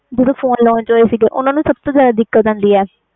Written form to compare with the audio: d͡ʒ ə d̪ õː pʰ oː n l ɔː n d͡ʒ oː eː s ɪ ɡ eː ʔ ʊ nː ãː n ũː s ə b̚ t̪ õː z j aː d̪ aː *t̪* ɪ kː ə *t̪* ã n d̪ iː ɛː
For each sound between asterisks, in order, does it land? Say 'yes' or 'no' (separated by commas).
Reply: no, yes